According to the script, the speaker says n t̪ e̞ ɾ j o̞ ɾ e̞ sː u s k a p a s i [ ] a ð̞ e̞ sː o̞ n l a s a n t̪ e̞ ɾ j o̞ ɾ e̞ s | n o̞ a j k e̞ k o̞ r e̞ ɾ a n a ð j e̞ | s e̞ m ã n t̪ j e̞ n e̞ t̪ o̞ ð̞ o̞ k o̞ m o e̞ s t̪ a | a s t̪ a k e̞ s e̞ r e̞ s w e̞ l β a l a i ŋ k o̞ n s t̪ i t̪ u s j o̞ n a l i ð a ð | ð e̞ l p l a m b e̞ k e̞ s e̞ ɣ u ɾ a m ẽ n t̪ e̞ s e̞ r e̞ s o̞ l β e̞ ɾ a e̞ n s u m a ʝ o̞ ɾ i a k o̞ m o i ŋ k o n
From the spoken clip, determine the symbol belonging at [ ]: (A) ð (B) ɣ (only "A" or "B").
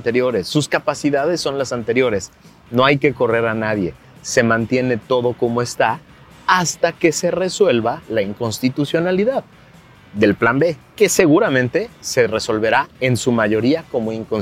A